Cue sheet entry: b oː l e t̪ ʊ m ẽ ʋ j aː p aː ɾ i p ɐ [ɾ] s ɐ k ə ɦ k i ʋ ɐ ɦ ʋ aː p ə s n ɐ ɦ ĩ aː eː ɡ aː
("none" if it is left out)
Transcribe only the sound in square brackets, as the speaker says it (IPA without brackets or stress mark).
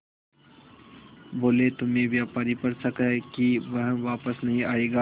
ɾ